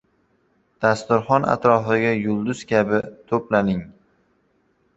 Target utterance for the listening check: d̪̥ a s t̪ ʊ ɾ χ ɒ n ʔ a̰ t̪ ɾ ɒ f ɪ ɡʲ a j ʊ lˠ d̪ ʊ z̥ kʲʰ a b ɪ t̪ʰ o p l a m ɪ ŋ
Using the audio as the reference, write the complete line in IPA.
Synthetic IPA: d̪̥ a s t̪ ʊ ɾ χ ɒ n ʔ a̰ t̪ ɾ ɒ f ɪ ɡʲ a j ʊ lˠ d̪ ʊ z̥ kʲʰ a b ɪ t̪ʰ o p l a n ɪ ŋ